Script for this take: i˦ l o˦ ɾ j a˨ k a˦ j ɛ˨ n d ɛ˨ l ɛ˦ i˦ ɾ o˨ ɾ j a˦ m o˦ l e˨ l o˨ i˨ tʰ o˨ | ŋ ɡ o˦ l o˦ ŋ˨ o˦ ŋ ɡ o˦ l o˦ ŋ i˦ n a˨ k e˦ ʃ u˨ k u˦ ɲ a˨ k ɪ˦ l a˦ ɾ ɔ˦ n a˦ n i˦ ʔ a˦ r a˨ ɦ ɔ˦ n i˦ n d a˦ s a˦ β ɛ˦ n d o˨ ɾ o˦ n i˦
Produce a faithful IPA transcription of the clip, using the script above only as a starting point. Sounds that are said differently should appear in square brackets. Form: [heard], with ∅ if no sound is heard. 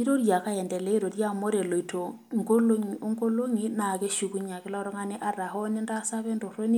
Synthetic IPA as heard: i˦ [ɾ] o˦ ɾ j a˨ k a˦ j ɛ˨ n d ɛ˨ l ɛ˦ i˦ ɾ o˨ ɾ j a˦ m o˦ [ɾ] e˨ l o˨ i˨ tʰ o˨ | ŋ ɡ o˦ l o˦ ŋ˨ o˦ ŋ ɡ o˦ l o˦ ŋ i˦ n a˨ k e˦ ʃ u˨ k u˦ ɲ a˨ k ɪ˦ l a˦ ɾ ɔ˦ [ŋ] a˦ n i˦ ʔ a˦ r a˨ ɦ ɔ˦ n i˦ n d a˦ s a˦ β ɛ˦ n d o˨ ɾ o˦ n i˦